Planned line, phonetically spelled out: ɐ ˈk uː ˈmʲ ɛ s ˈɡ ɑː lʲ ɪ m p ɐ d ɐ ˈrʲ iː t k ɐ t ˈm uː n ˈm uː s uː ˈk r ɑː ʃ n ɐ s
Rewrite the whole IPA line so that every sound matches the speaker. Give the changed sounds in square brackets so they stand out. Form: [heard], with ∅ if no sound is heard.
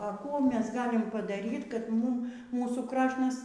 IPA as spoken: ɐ ˈk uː ˈmʲ ɛ s ˈɡ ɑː lʲ ɪ m p ɐ d ɐ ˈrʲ iː t k ɐ t ˈm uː [m] ˈm uː s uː ˈk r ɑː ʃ n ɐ s

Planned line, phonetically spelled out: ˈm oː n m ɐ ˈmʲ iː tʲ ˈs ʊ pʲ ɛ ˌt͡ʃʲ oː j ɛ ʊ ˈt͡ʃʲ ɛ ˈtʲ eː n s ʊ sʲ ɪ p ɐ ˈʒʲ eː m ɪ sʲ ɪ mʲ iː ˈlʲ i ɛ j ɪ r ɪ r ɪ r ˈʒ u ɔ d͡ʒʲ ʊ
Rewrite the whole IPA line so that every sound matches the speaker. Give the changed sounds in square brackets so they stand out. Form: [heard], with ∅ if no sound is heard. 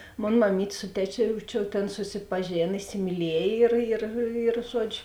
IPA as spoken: ˈm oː n m ɐ ˈmʲ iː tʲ ˈs ʊ [tʲ] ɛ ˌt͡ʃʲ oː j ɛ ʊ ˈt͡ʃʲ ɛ ˈtʲ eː n s ʊ sʲ ɪ p ɐ ˈʒʲ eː [n] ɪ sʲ ɪ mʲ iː ˈlʲ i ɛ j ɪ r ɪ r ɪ r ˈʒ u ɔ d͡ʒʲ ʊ

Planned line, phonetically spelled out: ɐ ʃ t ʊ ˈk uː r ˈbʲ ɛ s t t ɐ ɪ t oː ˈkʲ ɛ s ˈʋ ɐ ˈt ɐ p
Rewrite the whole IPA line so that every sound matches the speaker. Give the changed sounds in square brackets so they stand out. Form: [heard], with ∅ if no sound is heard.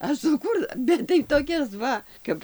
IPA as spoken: ɐ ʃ [s] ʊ ˈk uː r ˈbʲ ɛ [∅] t t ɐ ɪ t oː ˈkʲ ɛ s ˈʋ ɐ [ˈk] ɐ p

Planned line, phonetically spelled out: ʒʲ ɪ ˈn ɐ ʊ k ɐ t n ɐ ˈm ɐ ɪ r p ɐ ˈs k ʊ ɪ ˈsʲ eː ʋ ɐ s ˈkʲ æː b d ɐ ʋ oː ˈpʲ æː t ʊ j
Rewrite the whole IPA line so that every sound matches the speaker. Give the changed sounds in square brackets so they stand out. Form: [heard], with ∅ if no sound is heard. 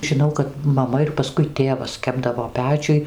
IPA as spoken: ʒʲ ɪ ˈn ɐ ʊ k ɐ t [m] ɐ ˈm ɐ ɪ r p ɐ ˈs k ʊ ɪ [ˈtʲ] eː ʋ ɐ s ˈkʲ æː b d ɐ ʋ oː ˈpʲ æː [t͡ʃʲ] ʊ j

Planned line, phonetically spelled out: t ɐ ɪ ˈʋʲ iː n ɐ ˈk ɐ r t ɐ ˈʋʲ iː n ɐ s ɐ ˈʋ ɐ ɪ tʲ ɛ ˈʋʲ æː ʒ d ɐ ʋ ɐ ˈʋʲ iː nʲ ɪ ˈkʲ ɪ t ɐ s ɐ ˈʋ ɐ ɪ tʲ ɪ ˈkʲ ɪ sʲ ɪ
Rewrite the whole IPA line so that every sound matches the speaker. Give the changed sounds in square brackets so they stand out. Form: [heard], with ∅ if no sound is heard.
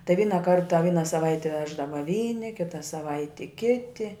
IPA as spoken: t ɐ ɪ ˈʋʲ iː n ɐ ˈk ɐ r t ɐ ˈʋʲ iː n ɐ s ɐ ˈʋ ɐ ɪ tʲ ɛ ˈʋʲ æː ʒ d ɐ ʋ ɐ ˈʋʲ iː nʲ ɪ ˈkʲ ɪ t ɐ s ɐ ˈʋ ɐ ɪ tʲ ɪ ˈkʲ ɪ [tʲ] ɪ

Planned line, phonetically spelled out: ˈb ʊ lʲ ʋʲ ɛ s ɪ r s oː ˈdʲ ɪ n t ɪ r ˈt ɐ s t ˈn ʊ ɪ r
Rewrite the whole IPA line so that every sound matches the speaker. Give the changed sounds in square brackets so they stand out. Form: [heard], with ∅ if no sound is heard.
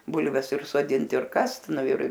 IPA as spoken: ˈb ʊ lʲ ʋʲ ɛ s ɪ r s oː ˈdʲ ɪ n t ɪ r [ˈk] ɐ s t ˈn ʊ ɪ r

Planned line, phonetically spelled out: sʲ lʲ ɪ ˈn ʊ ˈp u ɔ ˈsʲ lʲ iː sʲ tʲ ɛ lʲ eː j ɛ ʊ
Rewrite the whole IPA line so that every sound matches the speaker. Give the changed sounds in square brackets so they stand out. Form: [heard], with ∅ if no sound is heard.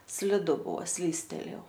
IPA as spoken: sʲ lʲ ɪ [ˈd] ʊ [ˈb] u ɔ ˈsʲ lʲ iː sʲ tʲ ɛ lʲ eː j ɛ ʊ

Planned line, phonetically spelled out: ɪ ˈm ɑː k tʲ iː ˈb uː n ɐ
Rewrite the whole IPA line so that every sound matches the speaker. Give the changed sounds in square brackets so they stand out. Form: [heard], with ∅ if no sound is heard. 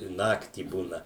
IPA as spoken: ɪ [ˈn] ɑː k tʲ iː ˈb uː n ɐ

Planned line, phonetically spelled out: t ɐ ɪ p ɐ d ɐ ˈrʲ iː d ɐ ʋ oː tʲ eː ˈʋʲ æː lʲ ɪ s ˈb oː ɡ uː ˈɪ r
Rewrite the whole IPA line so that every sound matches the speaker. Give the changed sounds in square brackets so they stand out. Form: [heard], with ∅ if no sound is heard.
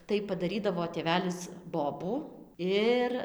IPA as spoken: t ɐ ɪ p ɐ d ɐ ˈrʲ iː d ɐ ʋ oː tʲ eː ˈʋʲ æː lʲ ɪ s ˈb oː [b] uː ˈɪ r

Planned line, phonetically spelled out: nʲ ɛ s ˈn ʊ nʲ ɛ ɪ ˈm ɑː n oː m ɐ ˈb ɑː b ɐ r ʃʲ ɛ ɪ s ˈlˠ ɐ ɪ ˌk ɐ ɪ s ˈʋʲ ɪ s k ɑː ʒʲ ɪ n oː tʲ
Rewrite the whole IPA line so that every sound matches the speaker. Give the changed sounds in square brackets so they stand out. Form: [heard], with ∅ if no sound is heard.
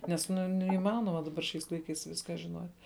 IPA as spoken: nʲ ɛ s ˈn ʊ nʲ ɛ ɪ ˈm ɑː n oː m ɐ [ˈd] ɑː b ɐ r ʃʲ ɛ ɪ s ˈlˠ ɐ ɪ ˌk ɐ ɪ s ˈʋʲ ɪ s k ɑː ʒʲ ɪ n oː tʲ

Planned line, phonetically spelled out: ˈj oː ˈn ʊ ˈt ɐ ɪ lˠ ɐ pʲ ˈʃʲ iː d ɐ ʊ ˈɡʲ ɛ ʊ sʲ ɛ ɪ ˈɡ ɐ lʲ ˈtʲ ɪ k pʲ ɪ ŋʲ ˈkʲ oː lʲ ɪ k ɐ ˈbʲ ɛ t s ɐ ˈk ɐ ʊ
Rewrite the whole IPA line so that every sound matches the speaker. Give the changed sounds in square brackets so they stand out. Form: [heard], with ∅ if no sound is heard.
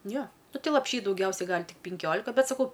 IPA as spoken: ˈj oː ˈn ʊ ˈt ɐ ɪ lˠ ɐ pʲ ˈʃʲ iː d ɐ ʊ ˈɡʲ ɛ ʊ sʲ ɛ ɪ ˈɡ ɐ lʲ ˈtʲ ɪ k pʲ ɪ ŋʲ ˈkʲ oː lʲ ɪ k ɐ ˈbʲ ɛ t s ɐ ˈk ɐ ʊ

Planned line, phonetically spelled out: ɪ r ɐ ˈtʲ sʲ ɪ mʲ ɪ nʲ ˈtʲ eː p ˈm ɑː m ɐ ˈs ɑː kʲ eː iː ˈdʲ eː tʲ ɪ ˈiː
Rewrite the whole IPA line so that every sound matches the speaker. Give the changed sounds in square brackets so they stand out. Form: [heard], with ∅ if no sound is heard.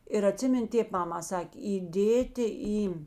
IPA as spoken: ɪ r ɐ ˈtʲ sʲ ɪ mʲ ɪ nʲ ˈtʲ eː p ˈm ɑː m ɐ ˈs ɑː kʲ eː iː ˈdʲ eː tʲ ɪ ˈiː

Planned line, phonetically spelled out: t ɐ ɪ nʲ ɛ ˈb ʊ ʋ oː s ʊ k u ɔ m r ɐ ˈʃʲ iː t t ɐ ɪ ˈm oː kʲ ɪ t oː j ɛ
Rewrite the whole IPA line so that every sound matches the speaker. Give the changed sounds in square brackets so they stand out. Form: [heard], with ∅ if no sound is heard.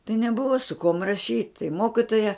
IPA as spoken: t ɐ ɪ nʲ ɛ ˈb ʊ ʋ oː s ʊ k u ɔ m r ɐ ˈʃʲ iː t t ɐ ɪ ˈm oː kʲ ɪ t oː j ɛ

